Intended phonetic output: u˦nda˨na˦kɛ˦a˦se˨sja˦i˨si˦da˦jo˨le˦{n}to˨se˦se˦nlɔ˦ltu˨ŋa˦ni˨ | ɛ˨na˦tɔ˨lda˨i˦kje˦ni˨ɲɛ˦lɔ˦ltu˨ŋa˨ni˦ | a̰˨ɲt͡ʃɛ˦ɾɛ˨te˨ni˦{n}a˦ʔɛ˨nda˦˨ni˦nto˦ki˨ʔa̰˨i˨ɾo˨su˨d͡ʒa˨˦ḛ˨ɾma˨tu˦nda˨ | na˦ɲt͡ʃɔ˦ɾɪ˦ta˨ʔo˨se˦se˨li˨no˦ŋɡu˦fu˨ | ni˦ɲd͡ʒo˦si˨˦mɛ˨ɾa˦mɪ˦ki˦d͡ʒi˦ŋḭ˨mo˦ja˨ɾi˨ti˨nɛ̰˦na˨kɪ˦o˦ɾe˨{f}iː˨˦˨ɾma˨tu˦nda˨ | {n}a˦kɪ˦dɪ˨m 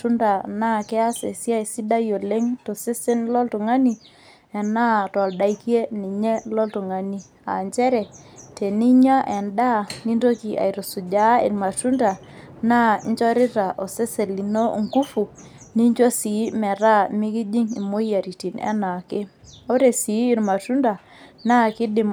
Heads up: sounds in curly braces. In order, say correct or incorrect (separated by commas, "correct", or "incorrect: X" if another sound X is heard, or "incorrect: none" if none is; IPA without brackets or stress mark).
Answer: incorrect: ŋ, incorrect: ɲ, incorrect: s, correct